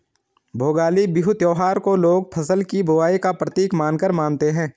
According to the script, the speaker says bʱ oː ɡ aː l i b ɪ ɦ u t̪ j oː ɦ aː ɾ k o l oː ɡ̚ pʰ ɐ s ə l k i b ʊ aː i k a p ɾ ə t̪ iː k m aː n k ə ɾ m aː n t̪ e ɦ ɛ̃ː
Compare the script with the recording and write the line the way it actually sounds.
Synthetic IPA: bʱ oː ɡ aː l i b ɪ ɦ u t̪ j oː ɦ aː ɾ k o l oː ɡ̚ pʰ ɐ s ə l k i b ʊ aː i k a p ɾ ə t̪ iː k m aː n k ə ɾ m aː n t̪ e ɦ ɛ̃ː